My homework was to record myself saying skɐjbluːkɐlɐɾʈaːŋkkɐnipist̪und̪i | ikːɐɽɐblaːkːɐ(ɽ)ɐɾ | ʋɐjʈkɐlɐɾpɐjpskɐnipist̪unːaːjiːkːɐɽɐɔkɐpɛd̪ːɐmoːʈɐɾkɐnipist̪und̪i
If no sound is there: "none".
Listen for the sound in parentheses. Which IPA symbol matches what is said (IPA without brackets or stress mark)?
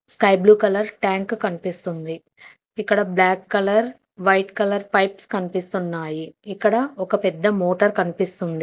l